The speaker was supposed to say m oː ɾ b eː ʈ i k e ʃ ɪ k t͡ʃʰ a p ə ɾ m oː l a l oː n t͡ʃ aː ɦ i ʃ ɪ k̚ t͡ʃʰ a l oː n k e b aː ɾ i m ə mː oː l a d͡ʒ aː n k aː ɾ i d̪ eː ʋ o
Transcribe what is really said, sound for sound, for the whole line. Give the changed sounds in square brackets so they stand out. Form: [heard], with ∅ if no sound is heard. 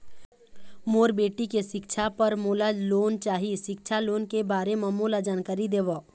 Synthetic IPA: m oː ɾ b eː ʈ i k e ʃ ɪ k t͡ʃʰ a p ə ɾ m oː l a l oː n t͡ʃ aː ɦ i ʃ ɪ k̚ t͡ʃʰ a l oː n k e b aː ɾ [e] m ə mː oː l a d͡ʒ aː n k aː ɾ i d̪ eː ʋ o